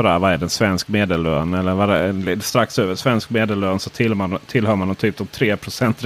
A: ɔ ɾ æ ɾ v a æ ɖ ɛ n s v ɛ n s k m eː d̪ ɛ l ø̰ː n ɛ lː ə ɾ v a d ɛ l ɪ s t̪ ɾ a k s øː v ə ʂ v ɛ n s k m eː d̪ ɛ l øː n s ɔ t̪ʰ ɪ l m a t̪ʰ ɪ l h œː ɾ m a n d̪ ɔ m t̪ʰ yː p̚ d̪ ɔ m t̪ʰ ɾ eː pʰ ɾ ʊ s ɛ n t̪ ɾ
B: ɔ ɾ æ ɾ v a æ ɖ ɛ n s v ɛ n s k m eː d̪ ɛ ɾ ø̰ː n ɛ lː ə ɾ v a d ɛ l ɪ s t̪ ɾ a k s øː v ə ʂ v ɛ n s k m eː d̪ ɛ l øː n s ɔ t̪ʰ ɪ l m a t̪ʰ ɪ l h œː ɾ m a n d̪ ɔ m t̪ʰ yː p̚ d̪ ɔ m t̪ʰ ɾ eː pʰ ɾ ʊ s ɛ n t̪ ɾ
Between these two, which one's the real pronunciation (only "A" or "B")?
A